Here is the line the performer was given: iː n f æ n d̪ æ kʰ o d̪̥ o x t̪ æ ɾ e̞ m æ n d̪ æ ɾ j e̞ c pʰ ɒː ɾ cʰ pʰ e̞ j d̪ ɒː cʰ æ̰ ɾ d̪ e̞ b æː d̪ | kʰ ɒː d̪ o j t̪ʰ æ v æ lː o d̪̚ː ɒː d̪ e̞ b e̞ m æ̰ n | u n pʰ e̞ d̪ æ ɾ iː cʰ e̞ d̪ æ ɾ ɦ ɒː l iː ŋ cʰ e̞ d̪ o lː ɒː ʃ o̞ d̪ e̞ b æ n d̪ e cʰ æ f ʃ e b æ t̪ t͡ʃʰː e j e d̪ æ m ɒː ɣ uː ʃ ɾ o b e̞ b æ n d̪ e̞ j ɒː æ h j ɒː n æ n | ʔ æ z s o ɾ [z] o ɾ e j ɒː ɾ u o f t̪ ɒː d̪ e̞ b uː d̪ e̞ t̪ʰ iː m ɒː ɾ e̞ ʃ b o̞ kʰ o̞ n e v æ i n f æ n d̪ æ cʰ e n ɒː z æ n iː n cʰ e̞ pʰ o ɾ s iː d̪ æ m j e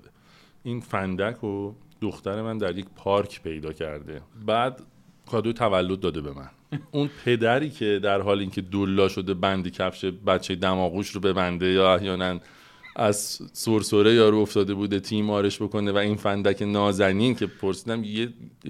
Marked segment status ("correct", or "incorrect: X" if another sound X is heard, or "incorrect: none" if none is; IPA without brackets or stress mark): incorrect: s